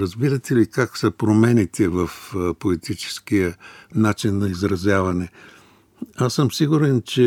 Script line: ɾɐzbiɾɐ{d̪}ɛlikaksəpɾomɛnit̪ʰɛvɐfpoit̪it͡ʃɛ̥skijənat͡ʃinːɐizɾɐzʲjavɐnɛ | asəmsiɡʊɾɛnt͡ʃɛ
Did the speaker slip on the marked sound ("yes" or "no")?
yes